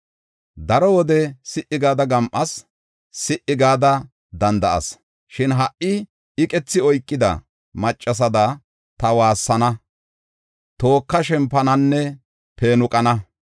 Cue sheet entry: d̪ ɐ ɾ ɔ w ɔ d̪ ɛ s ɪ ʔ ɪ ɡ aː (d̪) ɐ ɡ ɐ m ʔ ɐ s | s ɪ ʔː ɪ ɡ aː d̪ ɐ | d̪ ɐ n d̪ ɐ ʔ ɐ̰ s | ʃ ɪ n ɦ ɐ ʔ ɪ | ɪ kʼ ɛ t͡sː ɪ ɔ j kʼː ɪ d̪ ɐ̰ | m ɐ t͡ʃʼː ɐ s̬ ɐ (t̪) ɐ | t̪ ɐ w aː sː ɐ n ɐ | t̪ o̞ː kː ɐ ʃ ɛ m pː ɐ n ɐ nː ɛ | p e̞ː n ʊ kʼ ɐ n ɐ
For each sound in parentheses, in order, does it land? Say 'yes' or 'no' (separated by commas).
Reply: yes, no